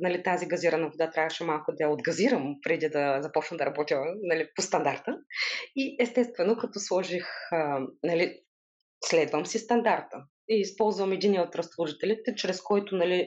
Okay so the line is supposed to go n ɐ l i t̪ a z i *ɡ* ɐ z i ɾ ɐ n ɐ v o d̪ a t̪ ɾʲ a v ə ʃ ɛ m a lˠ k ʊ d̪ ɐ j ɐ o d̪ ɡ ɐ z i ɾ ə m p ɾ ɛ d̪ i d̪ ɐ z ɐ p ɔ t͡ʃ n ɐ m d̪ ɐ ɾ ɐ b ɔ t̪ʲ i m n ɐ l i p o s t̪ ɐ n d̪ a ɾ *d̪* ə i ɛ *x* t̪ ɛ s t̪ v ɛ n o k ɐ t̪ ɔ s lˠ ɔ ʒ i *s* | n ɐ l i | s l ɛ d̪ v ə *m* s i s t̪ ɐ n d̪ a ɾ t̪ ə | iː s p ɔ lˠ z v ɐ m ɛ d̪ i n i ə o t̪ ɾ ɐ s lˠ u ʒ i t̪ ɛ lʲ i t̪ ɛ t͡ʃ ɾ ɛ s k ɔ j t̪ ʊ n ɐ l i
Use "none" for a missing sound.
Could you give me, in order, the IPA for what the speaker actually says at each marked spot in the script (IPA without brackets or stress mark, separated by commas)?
ɡ, t̪, s, x, m